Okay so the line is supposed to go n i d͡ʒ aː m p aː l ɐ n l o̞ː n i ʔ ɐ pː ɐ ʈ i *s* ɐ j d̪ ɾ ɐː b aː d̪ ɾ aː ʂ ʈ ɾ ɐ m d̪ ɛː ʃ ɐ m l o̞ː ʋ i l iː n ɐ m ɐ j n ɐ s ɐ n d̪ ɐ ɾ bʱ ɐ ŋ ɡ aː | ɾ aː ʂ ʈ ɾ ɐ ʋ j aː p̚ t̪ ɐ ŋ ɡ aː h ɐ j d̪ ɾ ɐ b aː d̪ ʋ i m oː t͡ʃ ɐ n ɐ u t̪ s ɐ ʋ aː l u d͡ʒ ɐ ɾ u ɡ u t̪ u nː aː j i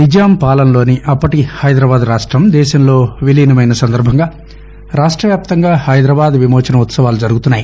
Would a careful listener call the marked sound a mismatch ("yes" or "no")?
yes